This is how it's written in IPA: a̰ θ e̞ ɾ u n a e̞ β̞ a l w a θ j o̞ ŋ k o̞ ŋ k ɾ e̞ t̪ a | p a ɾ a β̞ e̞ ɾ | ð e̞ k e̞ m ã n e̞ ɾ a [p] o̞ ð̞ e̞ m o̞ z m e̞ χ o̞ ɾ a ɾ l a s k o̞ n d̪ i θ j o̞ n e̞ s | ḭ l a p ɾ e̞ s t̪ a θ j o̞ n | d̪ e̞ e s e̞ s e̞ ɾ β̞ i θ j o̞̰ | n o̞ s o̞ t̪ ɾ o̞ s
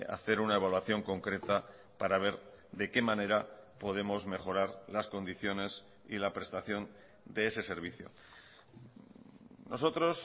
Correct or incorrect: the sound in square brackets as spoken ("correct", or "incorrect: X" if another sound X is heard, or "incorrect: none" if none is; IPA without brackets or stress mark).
correct